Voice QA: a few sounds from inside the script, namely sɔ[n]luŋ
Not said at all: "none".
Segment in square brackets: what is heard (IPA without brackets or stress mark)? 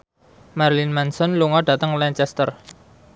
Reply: n